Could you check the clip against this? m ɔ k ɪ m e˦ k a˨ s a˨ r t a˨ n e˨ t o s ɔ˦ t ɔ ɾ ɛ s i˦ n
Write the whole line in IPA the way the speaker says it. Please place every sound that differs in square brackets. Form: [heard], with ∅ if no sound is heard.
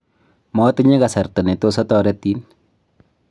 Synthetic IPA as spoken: m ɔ [t] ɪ [ɲ] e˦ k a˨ s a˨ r t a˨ n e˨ t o s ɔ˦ t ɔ ɾ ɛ [t] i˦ n

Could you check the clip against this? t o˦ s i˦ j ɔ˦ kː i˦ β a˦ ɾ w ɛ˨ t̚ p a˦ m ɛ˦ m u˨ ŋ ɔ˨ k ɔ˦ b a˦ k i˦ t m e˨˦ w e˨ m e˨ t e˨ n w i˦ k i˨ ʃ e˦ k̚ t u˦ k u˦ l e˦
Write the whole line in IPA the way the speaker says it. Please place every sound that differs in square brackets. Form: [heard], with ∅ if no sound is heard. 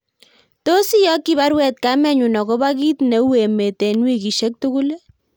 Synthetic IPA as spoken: t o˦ s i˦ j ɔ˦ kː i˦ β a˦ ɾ w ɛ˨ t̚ [k] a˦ m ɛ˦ [ɲ] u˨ [n] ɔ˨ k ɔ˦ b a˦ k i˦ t [n] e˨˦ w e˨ m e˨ t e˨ n w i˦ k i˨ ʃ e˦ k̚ t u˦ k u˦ l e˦

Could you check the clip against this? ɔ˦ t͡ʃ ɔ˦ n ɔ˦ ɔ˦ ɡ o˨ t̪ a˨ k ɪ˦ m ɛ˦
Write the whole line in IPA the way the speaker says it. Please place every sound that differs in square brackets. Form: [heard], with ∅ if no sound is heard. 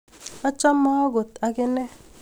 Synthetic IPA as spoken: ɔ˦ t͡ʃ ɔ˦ [m] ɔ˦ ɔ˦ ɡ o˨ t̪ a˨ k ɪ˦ [n] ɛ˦

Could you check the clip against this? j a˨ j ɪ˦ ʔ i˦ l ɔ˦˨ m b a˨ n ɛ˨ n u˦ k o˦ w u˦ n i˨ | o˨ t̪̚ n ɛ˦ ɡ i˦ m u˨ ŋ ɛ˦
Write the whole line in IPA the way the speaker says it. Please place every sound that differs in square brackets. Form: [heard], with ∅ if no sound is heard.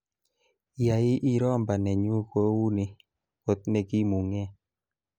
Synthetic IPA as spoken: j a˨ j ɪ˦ ʔ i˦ [ɾ] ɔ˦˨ m b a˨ n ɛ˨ [ɲ] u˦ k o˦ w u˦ n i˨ | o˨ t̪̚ n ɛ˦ ɡ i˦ m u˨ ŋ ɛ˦

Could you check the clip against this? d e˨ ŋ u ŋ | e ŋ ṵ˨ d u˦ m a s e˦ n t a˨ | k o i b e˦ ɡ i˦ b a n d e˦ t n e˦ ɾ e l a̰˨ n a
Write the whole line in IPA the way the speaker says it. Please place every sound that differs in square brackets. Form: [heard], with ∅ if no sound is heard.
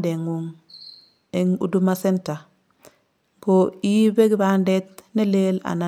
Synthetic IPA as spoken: d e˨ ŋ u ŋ | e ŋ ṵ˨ d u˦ m a s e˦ n t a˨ | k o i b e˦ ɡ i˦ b a n d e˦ t n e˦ [l] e l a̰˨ n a

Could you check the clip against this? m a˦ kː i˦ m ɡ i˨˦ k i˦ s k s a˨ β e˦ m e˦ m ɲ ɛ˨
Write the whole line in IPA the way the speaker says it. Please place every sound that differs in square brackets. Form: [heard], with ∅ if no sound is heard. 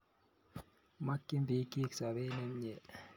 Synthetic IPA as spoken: m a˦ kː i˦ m [b] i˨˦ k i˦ [∅] k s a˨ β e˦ [n] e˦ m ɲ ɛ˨

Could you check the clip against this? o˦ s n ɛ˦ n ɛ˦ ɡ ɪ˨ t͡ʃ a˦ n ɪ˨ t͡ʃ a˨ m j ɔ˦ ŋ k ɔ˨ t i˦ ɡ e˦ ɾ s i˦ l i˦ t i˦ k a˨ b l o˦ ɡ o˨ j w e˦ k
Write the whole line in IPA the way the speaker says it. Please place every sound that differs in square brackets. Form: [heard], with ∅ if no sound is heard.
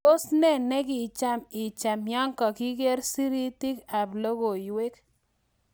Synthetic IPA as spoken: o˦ s n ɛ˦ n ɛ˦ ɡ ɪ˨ t͡ʃ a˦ [m] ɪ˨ t͡ʃ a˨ m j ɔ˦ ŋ k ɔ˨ [k] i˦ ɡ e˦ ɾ s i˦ [ɾ] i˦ t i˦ k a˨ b l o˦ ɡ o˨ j w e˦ k

